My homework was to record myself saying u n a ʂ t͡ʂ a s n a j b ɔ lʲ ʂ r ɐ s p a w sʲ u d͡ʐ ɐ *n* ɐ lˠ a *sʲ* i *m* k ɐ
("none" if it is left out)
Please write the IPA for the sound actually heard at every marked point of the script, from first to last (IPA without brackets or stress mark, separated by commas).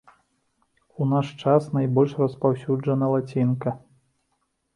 n, t͡sʲ, n